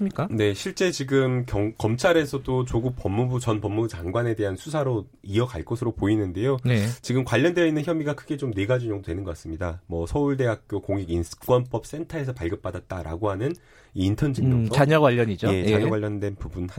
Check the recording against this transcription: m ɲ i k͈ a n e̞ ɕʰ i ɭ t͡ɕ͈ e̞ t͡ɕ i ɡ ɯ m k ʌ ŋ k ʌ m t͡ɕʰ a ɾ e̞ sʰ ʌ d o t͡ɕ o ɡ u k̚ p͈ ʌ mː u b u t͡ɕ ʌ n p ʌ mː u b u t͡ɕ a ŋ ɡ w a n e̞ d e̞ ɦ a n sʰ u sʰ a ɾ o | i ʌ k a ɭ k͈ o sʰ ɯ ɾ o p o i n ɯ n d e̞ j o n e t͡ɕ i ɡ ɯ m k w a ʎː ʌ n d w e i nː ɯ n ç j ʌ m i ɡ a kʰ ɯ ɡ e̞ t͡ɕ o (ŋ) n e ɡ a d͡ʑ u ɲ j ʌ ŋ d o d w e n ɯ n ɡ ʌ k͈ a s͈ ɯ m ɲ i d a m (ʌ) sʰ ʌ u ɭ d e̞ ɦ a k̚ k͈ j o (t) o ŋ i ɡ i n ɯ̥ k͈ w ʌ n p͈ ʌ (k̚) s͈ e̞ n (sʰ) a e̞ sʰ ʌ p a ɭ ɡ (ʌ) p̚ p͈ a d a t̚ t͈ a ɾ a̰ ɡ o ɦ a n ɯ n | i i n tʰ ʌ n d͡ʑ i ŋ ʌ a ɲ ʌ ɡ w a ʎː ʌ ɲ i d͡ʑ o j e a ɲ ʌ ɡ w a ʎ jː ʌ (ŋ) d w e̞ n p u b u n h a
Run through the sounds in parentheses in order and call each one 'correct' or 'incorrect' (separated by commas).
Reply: incorrect, correct, incorrect, incorrect, incorrect, correct, incorrect